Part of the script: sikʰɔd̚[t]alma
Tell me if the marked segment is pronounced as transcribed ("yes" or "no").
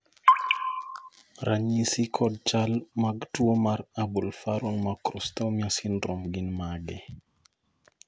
no